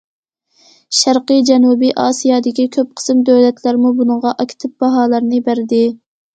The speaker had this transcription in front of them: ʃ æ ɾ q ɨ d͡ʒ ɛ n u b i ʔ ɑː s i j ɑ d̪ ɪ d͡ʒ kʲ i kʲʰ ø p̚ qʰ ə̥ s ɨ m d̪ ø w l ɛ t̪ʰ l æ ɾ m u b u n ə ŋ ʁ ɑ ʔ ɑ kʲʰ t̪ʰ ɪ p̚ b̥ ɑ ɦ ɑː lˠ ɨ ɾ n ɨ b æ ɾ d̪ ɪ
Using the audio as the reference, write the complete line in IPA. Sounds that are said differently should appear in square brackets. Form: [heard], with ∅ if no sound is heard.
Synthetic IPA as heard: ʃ æ ɾ q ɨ d͡ʒ ɛ n u b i ʔ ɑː s i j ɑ d̪ ɪ [∅] kʲ i kʲʰ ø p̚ qʰ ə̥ s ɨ m d̪ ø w l ɛ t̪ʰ l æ ɾ m u b u n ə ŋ ʁ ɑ ʔ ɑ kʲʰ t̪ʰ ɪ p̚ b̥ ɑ ɦ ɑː lˠ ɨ ɾ n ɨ b æ ɾ d̪ ɪ

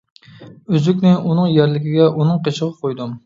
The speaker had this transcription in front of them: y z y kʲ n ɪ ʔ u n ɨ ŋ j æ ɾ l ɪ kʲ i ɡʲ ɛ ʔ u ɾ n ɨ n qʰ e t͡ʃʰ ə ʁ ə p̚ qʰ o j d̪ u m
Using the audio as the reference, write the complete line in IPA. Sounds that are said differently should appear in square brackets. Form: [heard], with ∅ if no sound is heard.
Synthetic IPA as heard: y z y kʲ n ɪ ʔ u n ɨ ŋ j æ ɾ l ɪ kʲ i ɡʲ ɛ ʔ u [∅] n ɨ [ŋ] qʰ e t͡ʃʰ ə ʁ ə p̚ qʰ o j d̪ u m

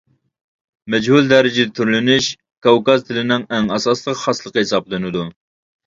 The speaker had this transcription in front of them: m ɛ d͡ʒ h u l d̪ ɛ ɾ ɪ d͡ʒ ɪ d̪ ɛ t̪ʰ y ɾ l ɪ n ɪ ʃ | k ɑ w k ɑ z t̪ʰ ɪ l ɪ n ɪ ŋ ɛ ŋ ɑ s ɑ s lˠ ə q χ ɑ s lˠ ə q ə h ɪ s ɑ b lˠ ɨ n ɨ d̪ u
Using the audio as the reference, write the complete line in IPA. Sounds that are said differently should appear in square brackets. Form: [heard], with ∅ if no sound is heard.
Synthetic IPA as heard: m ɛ d͡ʒ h u l d̪ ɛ ɾ ɪ d͡ʒ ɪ d̪ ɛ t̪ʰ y ɾ l ɪ n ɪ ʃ | k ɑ w k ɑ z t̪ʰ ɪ l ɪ n ɪ ŋ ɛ ŋ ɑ s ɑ s lˠ ə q χ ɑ s lˠ ə q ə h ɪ s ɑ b lˠ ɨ n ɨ d̪ u

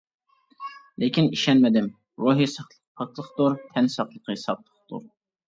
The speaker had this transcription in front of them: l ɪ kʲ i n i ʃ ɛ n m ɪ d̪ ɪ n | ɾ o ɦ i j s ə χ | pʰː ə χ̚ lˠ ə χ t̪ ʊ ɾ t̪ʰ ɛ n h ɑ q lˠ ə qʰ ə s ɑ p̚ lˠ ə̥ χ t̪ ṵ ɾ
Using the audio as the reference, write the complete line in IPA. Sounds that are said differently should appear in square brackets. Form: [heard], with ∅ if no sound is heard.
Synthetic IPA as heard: l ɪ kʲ i n i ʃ ɛ n m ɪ d̪ ɪ [m] | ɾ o ɦ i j s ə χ | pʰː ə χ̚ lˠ ə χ t̪ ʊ ɾ t̪ʰ ɛ n [s] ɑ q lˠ ə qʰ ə s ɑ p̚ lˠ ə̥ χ t̪ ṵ ɾ

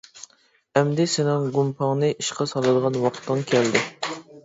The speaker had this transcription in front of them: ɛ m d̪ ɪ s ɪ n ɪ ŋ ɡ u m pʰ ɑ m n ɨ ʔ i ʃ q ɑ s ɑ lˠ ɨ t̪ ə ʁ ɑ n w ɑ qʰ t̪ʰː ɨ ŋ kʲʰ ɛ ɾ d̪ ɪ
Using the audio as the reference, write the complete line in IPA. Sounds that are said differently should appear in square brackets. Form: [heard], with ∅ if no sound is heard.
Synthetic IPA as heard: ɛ m d̪ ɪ s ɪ n ɪ ŋ ɡ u m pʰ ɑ [ŋ] n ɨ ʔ i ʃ q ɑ s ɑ lˠ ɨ [d̪] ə ʁ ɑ n w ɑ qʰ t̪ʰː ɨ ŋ kʲʰ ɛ [l] d̪ ɪ

